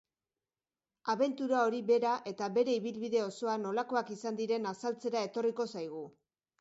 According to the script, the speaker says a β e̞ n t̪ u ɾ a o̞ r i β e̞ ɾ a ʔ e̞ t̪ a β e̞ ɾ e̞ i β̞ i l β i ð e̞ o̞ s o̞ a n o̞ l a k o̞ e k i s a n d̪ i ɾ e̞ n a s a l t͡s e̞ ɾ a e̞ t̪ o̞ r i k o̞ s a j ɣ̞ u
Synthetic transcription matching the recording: a β e̞ n t̪ u ɾ a o̞ ɾ i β e̞ ɾ a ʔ e̞ t̪ a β e̞ ɾ e̞ i β̞ i l β i ð e̞ o̞ s o̞ a n o̞ l a k o̞ a k i s a n d̪ i ɾ e̞ n a s a l t͡s e̞ ɾ a e̞ t̪ o̞ r i k o̞ s a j ɣ̞ u

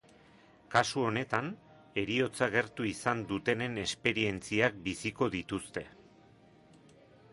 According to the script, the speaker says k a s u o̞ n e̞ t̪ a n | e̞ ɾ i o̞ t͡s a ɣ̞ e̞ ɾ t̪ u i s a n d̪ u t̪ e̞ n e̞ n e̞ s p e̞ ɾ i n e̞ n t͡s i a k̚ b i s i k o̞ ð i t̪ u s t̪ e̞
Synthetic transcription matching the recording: k a s u o̞ n e̞ t̪ a n | e̞ ɾ i o̞ t͡s a ɣ̞ e̞ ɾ t̪ u i s a n d̪ u t̪ e̞ n e̞ n e̞ s p e̞ ɾ i e̞ n t͡s i a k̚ b i s i k o̞ ð i t̪ u s t̪ e̞

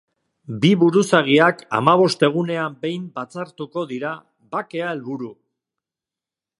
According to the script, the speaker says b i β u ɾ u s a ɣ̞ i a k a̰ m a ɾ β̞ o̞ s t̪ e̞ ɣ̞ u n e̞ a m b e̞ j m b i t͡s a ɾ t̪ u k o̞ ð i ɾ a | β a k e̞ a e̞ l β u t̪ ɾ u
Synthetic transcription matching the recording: b i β u ɾ u s a ɣ̞ i a k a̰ m a β̞ o̞ s t̪ e̞ ɣ̞ u n e̞ a m b e̞ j m b a t͡s a ɾ t̪ u k o̞ ð i ɾ a | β a k e̞ a e̞ l β u ɾ u

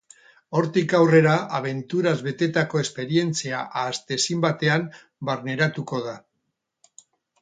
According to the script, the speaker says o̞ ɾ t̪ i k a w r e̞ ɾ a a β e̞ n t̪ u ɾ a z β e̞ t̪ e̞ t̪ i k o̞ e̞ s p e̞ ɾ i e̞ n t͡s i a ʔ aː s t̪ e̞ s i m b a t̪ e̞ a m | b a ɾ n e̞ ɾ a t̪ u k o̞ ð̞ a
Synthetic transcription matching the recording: o̞ ɾ t̪ i k a w r e̞ ɾ a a β e̞ n t̪ u ɾ a z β e̞ t̪ e̞ t̪ a k o̞ e̞ s p e̞ ɾ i e̞ n t͡s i a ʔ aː s t̪ e̞ s i m b a t̪ e̞ a m | b a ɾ n e̞ ɾ a t̪ u k o̞ ð̞ a

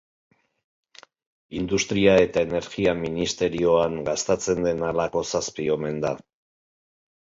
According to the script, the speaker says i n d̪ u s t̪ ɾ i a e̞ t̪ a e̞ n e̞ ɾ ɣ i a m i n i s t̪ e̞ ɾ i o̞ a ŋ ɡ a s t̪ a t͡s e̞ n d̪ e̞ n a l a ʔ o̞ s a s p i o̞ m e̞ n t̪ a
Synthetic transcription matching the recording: i n d̪ u s t̪ ɾ i a e̞ t̪ a e̞ n e̞ ɾ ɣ i a m i n i s t̪ e̞ ɾ i o̞ a ŋ ɡ a s t̪ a t͡s e̞ n d̪ e̞ n a l a k o̞ s a s p i o̞ m e̞ n d̪ a

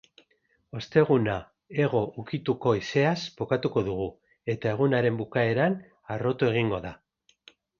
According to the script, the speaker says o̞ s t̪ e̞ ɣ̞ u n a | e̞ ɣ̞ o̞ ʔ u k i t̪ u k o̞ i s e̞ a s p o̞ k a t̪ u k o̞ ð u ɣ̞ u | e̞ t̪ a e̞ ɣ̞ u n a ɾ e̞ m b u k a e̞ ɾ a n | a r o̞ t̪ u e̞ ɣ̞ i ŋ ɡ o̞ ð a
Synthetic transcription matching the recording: o̞ s t̪ e̞ ɣ̞ u n a | e̞ ɣ̞ o̞ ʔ u k i t̪ u k o̞ i s e̞ a s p o̞ k a t̪ u k o̞ ð u ɣ̞ u | e̞ t̪ a e̞ ɣ̞ u n a ɾ e̞ m b u k a e̞ ɾ a n | a r o̞ t̪ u e̞ ɣ̞ i ŋ ɡ o̞ ð a

